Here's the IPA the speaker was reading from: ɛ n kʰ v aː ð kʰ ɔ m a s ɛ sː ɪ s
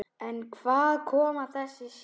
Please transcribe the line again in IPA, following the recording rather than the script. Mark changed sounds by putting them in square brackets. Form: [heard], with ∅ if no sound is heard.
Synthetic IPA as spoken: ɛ n kʰ v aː ð kʰ [ɔː] m a [θ] ɛ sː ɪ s